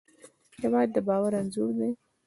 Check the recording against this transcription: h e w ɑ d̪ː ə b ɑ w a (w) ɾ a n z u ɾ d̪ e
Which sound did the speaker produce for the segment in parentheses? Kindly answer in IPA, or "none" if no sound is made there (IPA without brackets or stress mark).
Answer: none